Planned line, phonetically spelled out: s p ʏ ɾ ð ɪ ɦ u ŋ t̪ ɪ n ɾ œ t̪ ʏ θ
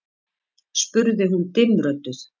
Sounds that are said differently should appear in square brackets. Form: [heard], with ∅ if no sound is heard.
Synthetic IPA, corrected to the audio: s p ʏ ɾ ð ɪ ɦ u [n] t̪ ɪ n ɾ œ t̪ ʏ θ

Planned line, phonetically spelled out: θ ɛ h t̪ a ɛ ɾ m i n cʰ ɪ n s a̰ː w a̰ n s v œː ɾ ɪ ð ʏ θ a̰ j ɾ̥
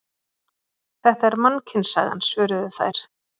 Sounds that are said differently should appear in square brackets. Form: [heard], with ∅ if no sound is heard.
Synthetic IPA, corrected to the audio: θ ɛ h t̪ a ɛ ɾ m [a] n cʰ ɪ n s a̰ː [ɣ] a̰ n s v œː ɾ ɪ ð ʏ θ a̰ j ɾ̥

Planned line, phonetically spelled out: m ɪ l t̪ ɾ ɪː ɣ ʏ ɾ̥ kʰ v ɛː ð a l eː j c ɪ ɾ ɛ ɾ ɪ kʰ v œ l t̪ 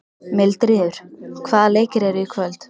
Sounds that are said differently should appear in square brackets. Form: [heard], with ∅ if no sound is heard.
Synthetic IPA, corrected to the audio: m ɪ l t̪ ɾ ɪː [ð] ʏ ɾ̥ kʰ v [aː] ð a l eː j c ɪ ɾ ɛ ɾ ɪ kʰ v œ l t̪

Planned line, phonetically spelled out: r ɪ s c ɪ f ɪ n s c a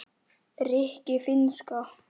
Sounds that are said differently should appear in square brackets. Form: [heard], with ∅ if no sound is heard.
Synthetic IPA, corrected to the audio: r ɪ [h] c ɪ f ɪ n s [k] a

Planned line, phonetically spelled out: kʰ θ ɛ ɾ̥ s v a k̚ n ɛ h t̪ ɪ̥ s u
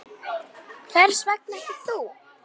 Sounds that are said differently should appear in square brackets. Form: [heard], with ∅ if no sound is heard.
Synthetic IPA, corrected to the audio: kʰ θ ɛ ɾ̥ s v [ɛ] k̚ n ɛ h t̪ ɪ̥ [θ] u

